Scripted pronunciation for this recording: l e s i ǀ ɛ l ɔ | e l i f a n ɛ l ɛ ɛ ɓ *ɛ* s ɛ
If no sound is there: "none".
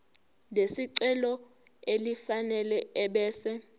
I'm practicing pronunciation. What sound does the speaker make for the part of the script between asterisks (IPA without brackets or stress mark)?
ɛː